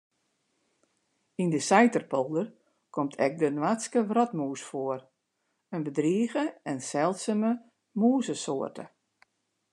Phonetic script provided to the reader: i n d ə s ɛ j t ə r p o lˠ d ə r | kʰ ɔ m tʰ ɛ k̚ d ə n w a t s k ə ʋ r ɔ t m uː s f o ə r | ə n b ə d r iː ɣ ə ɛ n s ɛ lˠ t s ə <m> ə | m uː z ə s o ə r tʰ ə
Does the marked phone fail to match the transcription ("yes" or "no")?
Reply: no